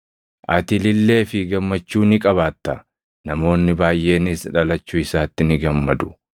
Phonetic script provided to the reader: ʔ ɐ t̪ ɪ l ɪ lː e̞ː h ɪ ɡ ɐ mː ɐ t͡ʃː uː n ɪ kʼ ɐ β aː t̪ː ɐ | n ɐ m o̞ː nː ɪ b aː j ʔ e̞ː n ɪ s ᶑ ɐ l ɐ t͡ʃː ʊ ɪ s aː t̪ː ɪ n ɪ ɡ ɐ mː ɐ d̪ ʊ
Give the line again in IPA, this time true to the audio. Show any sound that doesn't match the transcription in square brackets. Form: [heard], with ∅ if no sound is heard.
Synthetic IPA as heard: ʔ ɐ t̪ ɪ l ɪ lː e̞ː [f] ɪ ɡ ɐ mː ɐ t͡ʃː uː n ɪ kʼ ɐ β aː t̪ː ɐ | n ɐ m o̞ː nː ɪ b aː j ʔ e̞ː n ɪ s ᶑ ɐ l ɐ t͡ʃː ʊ ɪ s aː t̪ː ɪ n ɪ ɡ ɐ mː ɐ d̪ ʊ